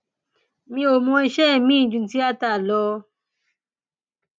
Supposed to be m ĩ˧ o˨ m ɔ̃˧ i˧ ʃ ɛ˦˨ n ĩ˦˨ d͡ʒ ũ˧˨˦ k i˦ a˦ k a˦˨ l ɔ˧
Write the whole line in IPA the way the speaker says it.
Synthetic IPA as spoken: m ĩ˧ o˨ m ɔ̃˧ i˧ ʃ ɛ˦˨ m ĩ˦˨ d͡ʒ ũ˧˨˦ t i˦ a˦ t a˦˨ l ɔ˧